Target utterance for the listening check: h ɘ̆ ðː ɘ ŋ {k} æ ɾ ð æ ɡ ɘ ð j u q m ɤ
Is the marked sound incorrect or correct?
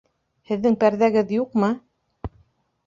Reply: incorrect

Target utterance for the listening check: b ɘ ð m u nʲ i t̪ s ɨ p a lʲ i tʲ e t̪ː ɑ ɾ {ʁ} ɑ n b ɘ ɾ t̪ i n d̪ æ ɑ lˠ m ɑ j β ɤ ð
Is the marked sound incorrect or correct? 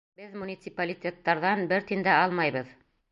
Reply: incorrect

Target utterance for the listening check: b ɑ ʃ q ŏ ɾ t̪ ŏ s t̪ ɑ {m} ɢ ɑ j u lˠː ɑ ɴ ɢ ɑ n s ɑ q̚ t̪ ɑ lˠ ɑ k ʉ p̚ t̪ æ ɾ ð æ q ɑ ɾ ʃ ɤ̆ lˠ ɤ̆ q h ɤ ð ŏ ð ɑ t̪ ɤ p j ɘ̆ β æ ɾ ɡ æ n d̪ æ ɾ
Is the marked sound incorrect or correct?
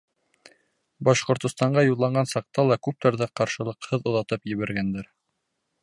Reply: incorrect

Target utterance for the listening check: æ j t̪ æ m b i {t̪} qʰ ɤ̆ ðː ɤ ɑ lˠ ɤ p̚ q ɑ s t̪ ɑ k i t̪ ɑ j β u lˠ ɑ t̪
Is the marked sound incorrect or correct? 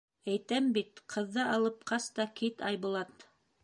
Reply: correct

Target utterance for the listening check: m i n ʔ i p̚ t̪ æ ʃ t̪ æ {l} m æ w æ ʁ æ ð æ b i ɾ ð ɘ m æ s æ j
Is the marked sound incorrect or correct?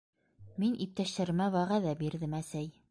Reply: incorrect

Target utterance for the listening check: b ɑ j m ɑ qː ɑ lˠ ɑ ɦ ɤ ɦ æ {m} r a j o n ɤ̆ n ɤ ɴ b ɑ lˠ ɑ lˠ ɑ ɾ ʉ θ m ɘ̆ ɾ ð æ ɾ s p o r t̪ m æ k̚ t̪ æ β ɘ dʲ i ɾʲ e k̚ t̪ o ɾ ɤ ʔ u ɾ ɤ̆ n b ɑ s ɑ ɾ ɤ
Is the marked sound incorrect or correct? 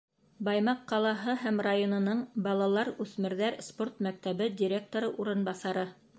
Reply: correct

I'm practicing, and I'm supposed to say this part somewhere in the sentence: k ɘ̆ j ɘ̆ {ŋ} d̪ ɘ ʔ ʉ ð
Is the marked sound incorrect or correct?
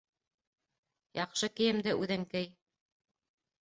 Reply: incorrect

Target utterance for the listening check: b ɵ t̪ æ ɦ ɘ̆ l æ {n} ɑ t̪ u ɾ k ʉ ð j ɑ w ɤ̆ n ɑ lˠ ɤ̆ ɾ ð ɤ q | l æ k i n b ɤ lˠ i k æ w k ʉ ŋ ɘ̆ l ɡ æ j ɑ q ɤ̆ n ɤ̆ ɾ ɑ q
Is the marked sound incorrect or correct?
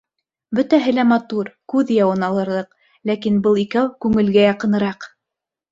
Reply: incorrect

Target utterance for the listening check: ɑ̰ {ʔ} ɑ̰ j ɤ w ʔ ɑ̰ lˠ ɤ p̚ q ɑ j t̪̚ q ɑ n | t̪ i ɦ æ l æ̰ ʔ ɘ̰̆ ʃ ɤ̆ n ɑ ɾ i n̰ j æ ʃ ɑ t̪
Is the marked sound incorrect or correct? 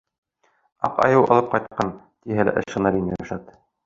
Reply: incorrect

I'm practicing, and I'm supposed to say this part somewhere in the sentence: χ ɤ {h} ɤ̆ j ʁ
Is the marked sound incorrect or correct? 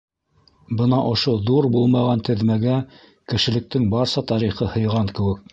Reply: correct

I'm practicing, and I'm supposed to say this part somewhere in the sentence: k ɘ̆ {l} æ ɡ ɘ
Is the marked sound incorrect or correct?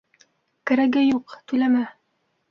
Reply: incorrect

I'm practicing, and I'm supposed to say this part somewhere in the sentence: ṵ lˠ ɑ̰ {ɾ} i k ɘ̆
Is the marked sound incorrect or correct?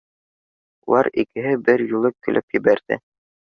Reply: correct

